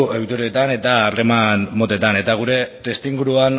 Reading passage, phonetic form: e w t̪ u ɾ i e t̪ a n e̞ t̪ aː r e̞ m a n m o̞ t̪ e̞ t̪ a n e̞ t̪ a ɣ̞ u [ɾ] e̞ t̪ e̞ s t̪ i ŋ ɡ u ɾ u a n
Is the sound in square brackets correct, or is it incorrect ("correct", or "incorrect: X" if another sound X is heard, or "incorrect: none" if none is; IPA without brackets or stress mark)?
correct